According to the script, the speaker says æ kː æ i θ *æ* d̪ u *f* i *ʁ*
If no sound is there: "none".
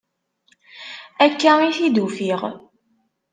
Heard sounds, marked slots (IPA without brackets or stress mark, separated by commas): i, f, ʁ